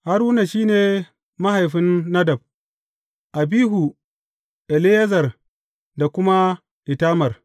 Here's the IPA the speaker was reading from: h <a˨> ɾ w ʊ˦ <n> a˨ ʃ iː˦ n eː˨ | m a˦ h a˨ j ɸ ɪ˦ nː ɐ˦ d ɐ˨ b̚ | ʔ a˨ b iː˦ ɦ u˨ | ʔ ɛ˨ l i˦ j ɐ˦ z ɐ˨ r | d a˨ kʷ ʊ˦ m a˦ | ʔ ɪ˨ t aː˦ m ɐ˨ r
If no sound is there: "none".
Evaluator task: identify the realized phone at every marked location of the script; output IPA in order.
a˦, n

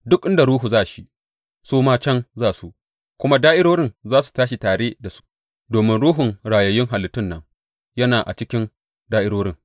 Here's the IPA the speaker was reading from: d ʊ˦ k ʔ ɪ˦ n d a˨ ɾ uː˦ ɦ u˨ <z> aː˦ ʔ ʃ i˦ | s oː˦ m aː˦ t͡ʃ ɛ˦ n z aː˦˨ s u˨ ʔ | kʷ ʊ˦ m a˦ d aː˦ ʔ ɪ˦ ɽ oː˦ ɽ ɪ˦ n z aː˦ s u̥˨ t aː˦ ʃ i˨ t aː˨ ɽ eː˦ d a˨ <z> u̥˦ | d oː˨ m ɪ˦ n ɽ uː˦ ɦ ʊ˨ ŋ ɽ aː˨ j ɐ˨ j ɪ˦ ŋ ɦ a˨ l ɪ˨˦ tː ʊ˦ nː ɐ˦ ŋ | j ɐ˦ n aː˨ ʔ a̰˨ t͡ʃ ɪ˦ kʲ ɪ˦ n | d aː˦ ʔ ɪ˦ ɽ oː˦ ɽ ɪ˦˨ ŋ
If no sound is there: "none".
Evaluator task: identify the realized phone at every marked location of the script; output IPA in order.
z, s

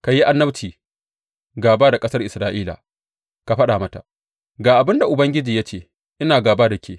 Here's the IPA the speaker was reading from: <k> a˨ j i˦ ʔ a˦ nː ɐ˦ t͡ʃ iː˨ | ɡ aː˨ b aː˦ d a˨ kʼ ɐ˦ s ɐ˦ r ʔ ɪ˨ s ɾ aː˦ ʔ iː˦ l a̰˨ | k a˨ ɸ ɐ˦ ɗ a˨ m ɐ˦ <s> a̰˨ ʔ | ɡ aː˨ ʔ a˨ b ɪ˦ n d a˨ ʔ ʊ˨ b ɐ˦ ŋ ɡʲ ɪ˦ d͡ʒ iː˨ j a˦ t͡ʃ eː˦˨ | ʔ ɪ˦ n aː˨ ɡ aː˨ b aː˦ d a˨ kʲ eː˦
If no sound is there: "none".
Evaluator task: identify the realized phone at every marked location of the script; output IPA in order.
k, t

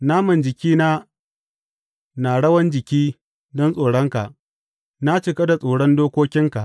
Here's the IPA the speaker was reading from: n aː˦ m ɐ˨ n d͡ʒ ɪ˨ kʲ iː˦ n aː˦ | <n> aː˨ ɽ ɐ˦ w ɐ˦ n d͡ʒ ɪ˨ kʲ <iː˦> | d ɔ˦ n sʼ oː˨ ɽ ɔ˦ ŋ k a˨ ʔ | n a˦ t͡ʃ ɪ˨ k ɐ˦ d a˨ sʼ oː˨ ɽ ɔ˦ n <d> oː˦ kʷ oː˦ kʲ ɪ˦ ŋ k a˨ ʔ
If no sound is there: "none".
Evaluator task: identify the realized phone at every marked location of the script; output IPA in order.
n, iː˦, d

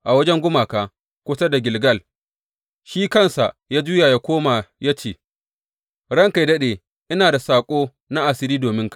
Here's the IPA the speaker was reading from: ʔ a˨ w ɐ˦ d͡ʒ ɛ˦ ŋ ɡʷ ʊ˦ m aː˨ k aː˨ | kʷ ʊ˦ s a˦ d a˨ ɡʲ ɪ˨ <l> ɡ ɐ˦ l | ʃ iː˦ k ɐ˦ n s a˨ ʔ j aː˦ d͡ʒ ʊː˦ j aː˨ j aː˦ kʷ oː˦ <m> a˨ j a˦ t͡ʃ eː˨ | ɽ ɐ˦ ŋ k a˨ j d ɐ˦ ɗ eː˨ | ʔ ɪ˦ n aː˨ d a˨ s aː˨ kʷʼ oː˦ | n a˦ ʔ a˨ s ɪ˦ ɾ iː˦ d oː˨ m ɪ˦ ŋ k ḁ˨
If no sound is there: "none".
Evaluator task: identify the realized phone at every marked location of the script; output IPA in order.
l, m

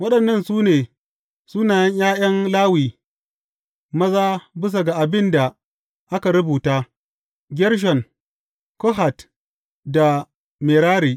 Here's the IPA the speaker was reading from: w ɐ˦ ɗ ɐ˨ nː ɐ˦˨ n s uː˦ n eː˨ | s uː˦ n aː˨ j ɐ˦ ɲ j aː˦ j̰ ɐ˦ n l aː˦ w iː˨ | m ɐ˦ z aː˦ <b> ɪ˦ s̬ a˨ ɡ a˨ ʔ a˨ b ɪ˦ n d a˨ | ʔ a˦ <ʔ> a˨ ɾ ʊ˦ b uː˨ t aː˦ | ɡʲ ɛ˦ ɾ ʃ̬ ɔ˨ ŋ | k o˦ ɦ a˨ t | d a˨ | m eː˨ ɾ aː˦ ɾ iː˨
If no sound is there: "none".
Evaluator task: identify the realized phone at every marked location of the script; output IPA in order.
b, k

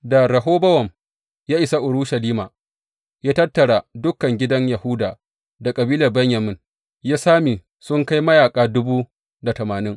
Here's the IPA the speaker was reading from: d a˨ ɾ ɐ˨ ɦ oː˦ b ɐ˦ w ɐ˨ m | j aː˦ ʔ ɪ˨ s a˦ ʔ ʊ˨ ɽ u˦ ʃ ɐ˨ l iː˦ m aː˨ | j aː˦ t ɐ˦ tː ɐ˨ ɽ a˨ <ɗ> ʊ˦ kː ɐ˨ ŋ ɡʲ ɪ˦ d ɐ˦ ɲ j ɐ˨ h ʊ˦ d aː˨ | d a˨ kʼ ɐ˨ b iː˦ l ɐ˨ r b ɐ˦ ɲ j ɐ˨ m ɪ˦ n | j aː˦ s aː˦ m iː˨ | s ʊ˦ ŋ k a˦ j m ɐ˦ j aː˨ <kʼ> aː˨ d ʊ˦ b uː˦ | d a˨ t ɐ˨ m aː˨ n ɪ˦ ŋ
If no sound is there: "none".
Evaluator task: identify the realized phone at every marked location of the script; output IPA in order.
d, kʼ

